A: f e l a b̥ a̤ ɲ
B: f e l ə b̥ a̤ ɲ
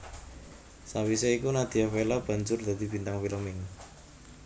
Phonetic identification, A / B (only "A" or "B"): A